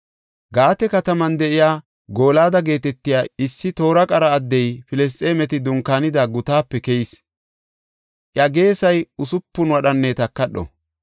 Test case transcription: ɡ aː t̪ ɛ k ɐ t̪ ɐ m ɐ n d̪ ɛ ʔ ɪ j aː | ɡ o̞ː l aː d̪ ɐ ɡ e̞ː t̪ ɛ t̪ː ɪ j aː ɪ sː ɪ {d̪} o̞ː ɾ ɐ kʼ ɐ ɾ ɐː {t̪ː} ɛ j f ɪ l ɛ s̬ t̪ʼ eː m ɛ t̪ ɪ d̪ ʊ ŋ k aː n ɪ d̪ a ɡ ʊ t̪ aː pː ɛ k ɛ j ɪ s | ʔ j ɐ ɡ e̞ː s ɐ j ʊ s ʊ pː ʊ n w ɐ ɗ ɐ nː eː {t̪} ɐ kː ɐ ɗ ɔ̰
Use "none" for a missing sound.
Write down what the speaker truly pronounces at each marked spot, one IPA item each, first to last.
t̪, d̪ː, t̪

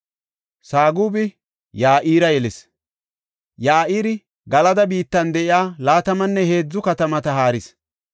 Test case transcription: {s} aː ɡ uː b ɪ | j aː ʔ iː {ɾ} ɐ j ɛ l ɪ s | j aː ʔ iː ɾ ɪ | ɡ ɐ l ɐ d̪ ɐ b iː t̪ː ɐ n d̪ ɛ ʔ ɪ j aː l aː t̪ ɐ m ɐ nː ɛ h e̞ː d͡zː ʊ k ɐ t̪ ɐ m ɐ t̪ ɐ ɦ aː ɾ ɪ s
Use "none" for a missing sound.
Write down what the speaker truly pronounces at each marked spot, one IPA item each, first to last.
s, ɾ

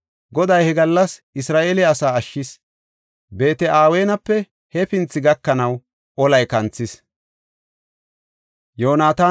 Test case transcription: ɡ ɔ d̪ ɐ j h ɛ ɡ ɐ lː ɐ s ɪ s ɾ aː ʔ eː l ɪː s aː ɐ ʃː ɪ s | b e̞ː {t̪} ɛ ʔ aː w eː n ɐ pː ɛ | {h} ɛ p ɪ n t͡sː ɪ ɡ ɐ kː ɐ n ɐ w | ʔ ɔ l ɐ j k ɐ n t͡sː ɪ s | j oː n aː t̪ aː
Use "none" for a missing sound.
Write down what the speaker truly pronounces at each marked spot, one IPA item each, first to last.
t̪, h

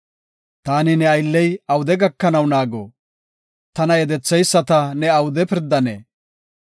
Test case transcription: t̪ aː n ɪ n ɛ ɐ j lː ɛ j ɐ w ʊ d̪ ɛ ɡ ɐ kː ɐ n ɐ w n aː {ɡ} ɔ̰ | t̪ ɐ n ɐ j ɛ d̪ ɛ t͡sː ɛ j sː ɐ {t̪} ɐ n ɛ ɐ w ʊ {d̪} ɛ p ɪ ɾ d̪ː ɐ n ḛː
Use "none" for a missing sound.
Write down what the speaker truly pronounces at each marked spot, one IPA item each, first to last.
ɡ, t̪, d̪

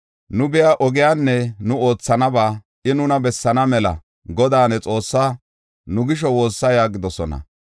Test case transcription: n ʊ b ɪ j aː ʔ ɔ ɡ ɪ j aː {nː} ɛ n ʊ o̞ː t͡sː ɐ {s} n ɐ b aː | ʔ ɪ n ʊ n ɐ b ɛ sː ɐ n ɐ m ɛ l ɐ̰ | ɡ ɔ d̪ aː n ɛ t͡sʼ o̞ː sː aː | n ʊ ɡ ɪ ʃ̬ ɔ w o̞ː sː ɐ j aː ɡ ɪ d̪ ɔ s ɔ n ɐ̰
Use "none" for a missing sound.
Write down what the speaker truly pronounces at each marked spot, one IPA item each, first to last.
nː, none

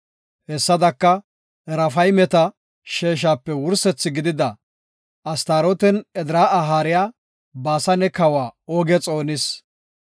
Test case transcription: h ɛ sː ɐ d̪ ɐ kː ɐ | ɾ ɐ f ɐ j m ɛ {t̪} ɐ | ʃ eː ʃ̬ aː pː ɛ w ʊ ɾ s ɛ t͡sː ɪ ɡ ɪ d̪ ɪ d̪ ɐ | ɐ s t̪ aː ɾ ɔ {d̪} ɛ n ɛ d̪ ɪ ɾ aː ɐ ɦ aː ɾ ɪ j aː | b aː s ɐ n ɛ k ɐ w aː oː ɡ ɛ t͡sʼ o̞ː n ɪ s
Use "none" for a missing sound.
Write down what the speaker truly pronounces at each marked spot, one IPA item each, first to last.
t̪, t̪

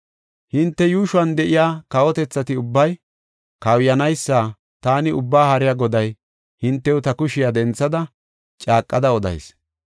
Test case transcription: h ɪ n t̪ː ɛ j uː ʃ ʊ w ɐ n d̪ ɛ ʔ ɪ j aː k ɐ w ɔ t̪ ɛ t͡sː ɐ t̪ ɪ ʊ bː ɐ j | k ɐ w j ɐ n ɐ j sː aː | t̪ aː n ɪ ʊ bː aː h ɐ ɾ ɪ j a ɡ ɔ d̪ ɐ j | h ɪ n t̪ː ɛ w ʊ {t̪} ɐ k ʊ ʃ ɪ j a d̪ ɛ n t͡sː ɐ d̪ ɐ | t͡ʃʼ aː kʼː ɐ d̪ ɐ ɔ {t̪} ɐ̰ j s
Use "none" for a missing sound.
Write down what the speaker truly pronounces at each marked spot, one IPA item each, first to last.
t̪, d̪

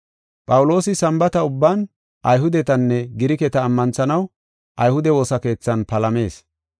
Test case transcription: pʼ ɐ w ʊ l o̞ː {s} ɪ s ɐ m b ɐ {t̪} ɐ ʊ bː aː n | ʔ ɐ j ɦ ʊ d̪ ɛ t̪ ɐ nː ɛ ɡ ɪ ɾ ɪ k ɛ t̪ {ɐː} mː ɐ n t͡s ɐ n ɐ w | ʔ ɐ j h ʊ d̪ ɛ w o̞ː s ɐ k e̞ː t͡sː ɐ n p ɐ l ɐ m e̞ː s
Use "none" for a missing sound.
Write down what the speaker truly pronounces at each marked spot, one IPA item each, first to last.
s, t̪, ɐː

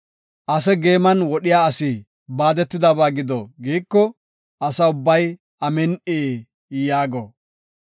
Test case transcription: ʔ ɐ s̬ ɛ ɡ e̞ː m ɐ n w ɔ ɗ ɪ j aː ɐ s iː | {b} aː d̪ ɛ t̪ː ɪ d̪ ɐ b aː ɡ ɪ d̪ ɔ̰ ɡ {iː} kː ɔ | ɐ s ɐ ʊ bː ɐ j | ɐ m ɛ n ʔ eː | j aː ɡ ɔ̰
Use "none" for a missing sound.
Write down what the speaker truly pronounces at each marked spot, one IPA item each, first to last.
b, iː

